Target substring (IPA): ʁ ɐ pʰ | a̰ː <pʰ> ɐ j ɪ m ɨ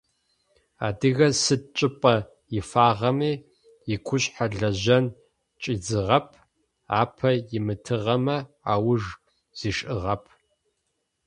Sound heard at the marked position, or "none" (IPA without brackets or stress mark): pʰ